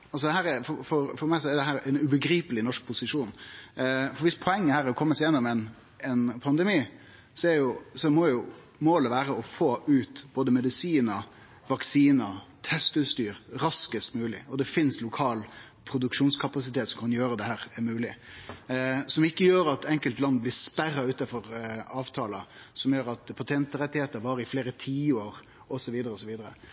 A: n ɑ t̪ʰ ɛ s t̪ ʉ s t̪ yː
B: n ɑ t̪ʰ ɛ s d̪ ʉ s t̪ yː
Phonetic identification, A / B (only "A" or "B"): A